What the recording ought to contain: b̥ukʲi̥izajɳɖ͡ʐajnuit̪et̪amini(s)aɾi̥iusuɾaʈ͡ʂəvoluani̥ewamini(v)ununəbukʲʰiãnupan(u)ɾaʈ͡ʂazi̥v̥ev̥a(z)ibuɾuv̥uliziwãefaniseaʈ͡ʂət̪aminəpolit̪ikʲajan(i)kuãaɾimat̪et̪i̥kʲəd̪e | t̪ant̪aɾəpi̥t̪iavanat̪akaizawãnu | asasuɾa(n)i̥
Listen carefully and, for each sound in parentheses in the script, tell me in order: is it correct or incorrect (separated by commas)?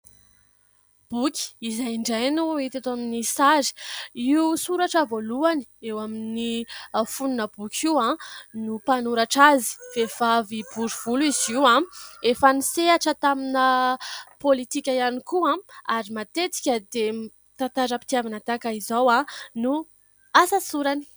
correct, incorrect, correct, incorrect, correct, correct